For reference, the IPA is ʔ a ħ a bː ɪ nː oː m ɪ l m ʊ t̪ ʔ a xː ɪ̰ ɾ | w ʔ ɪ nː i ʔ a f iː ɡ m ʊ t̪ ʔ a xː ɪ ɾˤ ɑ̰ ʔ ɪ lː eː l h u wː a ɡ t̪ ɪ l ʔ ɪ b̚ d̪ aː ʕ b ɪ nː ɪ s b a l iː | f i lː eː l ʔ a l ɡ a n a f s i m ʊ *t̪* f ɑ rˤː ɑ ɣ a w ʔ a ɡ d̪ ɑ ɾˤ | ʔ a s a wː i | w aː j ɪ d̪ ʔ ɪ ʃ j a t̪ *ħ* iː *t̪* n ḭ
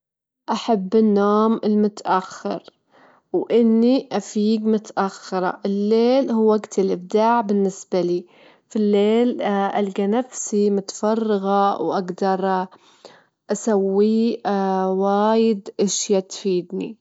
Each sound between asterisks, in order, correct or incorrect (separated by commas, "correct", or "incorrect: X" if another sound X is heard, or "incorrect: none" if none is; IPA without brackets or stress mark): correct, incorrect: f, incorrect: d̪